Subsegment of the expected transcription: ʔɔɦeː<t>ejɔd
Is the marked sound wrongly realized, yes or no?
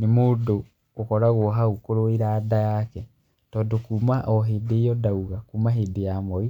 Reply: yes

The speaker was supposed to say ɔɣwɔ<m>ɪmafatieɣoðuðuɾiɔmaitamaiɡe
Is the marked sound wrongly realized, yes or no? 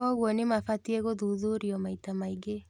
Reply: yes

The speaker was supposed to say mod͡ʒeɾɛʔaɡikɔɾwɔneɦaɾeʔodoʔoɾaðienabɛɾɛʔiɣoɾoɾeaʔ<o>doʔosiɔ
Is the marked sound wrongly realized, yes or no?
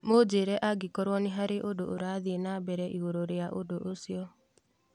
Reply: no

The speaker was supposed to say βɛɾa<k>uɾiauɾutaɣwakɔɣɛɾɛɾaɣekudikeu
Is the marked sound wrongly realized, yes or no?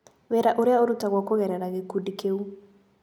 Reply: yes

